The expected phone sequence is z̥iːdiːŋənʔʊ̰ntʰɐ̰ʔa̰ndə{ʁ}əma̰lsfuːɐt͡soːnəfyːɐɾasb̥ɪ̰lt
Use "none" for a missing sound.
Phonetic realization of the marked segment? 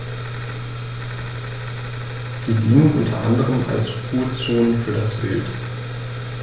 ʁ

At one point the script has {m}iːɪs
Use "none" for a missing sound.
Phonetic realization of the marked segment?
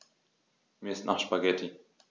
m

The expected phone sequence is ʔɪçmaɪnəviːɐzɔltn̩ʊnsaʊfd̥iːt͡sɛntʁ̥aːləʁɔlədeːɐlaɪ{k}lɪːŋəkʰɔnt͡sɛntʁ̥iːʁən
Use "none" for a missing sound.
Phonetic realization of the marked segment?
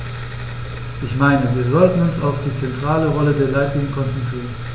t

